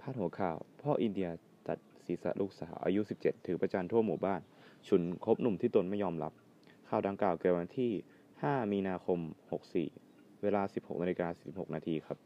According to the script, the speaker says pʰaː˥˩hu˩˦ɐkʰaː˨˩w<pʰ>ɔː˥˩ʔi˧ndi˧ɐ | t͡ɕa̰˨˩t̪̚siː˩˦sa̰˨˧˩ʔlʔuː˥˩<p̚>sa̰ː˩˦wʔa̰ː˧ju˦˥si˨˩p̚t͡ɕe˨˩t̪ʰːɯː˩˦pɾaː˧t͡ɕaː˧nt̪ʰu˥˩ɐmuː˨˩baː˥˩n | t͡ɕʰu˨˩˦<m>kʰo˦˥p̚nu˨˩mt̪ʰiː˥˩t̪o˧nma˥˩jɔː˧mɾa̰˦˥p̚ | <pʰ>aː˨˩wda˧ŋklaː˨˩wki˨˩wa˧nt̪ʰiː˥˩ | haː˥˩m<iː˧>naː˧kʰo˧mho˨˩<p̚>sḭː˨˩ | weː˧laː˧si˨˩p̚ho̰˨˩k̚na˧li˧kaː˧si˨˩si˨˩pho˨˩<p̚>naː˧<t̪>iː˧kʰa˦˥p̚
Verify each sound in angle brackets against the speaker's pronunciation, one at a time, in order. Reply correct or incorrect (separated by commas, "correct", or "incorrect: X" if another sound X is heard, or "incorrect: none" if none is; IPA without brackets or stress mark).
correct, incorrect: k̚, incorrect: n, incorrect: kʰ, correct, incorrect: k̚, incorrect: k̚, incorrect: t̪ʰ